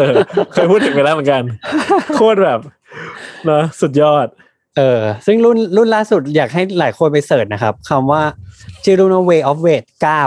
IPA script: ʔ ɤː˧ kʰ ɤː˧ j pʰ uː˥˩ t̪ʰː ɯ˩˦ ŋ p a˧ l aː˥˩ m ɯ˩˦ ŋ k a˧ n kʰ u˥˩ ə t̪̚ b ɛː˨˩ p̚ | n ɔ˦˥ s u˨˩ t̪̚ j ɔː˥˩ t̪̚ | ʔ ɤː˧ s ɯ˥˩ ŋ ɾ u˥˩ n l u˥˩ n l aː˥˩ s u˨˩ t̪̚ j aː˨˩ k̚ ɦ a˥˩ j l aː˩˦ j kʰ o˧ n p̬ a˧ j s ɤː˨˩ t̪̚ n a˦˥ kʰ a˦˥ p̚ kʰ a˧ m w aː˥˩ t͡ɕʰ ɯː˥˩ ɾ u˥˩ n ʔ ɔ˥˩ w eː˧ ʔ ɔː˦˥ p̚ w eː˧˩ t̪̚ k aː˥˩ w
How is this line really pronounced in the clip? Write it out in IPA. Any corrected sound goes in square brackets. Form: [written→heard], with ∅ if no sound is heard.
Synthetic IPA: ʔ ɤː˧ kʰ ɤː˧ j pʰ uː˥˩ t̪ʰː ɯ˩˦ ŋ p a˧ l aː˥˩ m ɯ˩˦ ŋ k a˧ n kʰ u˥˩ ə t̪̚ b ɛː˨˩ p̚ | n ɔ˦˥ s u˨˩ t̪̚ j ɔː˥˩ t̪̚ | ʔ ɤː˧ s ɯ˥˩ ŋ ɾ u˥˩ n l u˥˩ n l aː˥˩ s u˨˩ t̪̚ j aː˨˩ k̚ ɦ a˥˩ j l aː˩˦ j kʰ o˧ n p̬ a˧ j s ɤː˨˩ t̪̚ n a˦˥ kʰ a˦˥ p̚ kʰ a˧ m w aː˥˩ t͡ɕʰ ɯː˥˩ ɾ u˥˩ n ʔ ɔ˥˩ w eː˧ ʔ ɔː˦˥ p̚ w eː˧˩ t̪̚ k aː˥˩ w